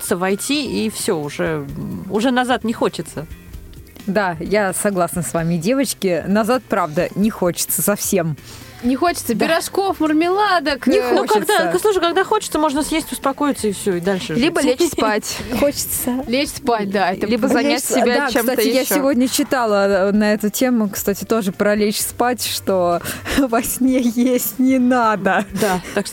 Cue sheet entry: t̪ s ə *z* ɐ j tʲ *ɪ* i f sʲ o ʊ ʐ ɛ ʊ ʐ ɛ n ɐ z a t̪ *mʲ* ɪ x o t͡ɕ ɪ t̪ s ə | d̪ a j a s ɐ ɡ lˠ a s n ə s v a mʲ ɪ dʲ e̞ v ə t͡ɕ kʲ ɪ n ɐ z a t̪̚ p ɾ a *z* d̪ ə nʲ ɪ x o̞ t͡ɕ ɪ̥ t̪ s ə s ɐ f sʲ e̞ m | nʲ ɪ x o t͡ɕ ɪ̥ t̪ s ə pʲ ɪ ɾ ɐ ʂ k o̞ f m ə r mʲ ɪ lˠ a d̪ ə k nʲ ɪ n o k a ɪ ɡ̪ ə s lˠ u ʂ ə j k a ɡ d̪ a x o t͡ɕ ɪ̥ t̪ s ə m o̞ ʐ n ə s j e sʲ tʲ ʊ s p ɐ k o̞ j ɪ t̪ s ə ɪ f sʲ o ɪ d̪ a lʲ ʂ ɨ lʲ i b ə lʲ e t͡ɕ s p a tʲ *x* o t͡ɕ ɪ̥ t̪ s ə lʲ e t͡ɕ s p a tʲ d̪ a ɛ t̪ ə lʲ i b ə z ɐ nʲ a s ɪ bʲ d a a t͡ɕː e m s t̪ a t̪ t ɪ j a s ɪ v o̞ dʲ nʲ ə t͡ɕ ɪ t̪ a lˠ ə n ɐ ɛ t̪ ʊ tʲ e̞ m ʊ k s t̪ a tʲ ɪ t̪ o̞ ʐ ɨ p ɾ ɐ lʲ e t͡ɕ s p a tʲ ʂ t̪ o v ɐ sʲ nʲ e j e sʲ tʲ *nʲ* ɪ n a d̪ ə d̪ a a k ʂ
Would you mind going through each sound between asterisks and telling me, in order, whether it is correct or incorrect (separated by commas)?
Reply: incorrect, incorrect, incorrect, incorrect, correct, correct